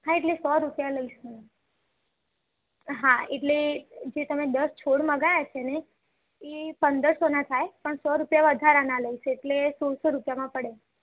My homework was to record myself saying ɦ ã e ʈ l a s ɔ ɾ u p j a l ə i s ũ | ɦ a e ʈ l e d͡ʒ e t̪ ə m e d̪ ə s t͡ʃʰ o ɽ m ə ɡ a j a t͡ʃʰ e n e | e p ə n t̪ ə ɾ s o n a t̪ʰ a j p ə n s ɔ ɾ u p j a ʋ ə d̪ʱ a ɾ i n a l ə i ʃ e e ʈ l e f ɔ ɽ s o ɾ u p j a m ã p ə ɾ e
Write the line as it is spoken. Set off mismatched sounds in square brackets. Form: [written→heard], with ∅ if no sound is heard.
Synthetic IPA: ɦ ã e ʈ l [a→e] s ɔ ɾ u p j a l ə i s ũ | ɦ a e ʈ l e d͡ʒ e t̪ ə m e d̪ ə s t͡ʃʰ o ɽ m ə ɡ a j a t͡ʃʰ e n e | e p ə n [t̪→d̪] ə ɾ s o n a t̪ʰ a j p ə [n→ɳ] s ɔ ɾ u p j a ʋ ə d̪ʱ a ɾ [i→a] n a l ə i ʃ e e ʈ l e [f→s] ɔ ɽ s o ɾ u p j a m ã p ə [ɾ→ɽ] e

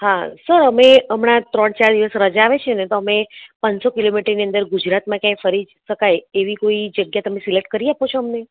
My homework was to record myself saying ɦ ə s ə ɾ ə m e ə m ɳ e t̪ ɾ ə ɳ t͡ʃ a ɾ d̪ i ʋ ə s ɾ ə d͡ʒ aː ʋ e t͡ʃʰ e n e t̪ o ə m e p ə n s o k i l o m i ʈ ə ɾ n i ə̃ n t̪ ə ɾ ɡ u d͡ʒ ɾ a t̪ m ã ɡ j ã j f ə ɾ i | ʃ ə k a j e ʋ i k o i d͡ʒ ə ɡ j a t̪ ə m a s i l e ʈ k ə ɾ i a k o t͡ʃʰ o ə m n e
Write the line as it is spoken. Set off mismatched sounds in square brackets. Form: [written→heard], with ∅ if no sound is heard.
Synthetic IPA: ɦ [ə→a] s ə ɾ ə m e ə m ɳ [e→a] t̪ ɾ ə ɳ t͡ʃ a ɾ d̪ i ʋ ə s ɾ ə d͡ʒ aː ʋ e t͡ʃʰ e n e t̪ o ə m e p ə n s o k i l o m i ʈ ə ɾ n i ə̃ n [t̪→d̪] ə ɾ ɡ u d͡ʒ ɾ a t̪ m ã [ɡ→k] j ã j f ə ɾ i | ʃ ə k a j e ʋ i k o i d͡ʒ ə ɡ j a t̪ ə m [a→e] s i l e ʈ k ə ɾ i a [k→p] o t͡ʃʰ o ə m n e

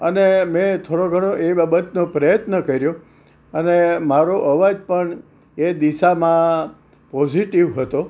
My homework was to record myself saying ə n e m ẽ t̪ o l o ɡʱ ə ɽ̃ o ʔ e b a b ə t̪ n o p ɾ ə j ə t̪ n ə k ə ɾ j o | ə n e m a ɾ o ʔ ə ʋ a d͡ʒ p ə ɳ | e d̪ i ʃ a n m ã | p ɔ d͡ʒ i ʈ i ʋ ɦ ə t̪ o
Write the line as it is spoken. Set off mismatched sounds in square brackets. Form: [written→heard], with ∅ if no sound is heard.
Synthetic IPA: ə n e m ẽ [t̪→t̪ʰ] o [l→ɽ] o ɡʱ ə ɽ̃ o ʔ e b a b ə t̪ n o p ɾ ə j ə t̪ n ə k ə ɾ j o | ə n e m a ɾ o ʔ ə ʋ a d͡ʒ p ə ɳ | e d̪ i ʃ a [n→∅] m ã | p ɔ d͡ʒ i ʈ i ʋ ɦ ə t̪ o

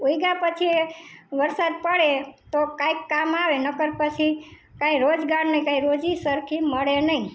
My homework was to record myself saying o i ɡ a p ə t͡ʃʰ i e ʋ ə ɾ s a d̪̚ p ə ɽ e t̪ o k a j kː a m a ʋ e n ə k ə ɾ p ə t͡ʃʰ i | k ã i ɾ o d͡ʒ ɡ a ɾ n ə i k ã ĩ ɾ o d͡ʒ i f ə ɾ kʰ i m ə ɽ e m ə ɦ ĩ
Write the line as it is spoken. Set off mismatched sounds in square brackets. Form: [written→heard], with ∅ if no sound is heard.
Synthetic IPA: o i ɡ a p ə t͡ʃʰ i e ʋ ə ɾ s a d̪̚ p ə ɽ e t̪ o k a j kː a m a ʋ e n ə k ə ɾ p ə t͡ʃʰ i | k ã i ɾ o d͡ʒ ɡ a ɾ n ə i k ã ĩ ɾ o d͡ʒ i [f→s] ə ɾ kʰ i m ə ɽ e [m→n] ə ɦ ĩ

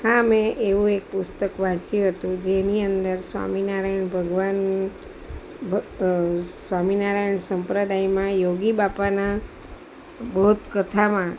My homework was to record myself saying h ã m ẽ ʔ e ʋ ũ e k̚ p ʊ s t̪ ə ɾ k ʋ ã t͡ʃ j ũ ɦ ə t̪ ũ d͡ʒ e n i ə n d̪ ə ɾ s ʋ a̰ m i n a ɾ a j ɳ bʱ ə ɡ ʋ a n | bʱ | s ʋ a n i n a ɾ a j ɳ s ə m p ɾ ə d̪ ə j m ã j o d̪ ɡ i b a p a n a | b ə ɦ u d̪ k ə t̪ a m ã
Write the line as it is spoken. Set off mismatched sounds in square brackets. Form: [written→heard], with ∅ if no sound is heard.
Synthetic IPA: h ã m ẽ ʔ e ʋ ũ e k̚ p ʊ s t̪ ə [ɾ→∅] k ʋ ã t͡ʃ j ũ ɦ ə t̪ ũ d͡ʒ e n i ə n d̪ ə ɾ s ʋ a̰ m i n a ɾ a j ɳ bʱ ə ɡ ʋ a n | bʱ | s ʋ a [n→m] i n a ɾ a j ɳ s ə m p ɾ ə d̪ [ə→a] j m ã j o [d̪→∅] ɡ i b a p a n a | b ə ɦ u [d̪→t̪] k ə [t̪→t̪ʰ] a m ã

